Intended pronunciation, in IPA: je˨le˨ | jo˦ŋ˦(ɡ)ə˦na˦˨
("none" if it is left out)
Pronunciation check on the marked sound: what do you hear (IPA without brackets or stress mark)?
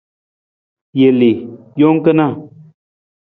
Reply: k